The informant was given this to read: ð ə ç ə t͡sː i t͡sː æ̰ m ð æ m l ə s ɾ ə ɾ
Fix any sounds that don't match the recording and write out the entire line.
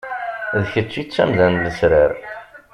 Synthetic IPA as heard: ð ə ç ə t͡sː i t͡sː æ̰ m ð æ n l ə s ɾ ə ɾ

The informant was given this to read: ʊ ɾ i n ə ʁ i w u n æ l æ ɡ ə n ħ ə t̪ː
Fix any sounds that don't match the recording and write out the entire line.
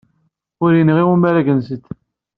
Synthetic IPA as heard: ʊ ɾ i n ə ʁ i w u m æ ɾ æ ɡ ə n s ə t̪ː

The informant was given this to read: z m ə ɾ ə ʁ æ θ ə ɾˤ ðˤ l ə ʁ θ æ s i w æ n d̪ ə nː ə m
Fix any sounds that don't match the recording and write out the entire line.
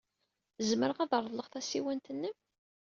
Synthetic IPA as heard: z m ə ɾ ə ʁ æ ð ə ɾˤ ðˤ l ə ʁ θ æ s i w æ n t̪ ə nː ə m

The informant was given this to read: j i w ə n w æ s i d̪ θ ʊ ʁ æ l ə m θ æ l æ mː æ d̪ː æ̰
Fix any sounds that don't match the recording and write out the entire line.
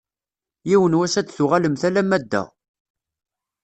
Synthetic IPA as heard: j i w ə n w æ s æ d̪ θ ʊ ʁ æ l ə m θ æ l æ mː æ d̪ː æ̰

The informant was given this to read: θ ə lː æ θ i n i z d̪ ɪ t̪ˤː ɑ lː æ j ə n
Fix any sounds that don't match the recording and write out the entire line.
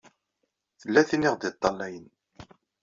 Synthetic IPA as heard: θ ə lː æ θ i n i ʁ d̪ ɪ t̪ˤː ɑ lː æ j ə n

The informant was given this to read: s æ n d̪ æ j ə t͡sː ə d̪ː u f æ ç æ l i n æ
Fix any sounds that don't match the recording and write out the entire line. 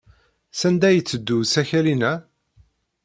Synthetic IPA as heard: s æ n d̪ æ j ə t͡sː ə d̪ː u s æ ç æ l i n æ

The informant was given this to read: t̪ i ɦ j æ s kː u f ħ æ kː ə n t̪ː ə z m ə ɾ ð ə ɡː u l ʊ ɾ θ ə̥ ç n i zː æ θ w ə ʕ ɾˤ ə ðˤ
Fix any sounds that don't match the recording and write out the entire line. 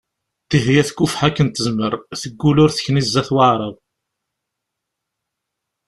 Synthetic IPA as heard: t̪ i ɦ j æ θ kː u f ħ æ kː ə n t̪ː ə z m ə ɾ θ ə ɡː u l ʊ ɾ θ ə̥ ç n i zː æ θ w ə ʕ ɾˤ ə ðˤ

